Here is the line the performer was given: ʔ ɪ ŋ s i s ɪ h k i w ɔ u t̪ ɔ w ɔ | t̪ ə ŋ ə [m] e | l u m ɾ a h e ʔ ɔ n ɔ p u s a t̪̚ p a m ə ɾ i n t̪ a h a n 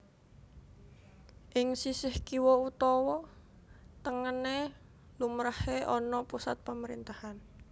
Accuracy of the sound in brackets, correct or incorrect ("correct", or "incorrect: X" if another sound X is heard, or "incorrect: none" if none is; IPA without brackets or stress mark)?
incorrect: n